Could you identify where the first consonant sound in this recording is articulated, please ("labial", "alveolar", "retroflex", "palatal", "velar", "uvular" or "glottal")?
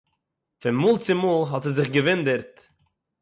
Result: labial